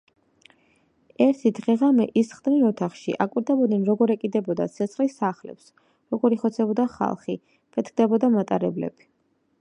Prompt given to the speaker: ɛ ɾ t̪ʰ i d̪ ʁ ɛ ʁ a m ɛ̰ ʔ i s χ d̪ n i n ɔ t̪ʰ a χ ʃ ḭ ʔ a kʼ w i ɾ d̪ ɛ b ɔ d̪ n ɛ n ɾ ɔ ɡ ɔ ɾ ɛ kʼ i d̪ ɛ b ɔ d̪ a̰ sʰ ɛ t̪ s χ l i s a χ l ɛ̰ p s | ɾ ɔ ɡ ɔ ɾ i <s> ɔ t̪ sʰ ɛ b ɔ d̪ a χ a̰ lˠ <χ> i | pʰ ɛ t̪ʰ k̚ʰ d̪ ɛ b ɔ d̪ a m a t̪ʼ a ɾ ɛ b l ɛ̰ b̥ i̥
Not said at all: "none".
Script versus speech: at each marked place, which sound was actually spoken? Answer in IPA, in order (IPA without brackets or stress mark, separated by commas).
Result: χ, χ